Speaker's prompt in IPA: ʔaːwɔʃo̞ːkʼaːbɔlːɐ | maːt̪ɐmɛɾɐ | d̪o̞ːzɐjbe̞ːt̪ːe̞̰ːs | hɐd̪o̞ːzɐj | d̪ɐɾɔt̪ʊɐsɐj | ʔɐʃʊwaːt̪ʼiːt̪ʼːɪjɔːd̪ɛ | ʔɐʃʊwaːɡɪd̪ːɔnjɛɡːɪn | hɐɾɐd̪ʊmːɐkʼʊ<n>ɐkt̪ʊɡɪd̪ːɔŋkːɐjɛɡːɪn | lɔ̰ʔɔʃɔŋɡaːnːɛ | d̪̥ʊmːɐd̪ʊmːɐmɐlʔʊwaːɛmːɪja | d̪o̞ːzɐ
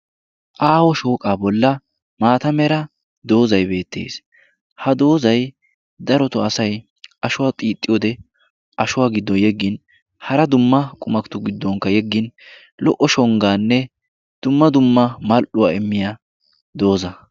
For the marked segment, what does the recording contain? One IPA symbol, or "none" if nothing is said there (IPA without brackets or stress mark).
m